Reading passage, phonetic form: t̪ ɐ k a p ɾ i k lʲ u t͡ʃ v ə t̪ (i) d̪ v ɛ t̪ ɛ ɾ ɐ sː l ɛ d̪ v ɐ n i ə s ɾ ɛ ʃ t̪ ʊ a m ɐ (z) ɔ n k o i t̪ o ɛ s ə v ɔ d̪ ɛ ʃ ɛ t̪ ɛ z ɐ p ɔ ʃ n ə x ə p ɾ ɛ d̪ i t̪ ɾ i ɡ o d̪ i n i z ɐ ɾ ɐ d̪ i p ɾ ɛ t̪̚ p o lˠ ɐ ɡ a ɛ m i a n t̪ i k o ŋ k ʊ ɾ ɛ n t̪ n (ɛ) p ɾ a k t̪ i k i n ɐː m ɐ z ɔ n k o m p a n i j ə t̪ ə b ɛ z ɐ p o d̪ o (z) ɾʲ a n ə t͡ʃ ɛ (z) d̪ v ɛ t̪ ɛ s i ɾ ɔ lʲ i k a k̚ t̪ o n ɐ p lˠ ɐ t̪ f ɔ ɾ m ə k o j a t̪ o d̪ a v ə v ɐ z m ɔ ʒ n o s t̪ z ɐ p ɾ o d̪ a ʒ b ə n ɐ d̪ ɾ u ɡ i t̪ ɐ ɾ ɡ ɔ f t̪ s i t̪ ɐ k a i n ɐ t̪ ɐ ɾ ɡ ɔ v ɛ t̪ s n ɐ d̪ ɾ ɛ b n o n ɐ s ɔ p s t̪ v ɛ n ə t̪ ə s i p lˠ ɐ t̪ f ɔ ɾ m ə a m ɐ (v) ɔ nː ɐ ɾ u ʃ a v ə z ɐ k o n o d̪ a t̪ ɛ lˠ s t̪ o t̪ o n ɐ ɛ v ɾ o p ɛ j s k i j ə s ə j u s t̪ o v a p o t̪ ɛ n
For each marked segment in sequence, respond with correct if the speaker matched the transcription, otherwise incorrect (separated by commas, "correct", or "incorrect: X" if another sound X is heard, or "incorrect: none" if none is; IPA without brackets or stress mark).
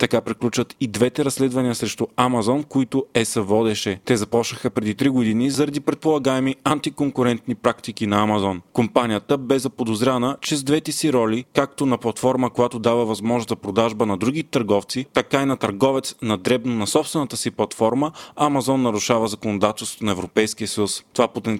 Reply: correct, correct, incorrect: i, correct, correct, incorrect: z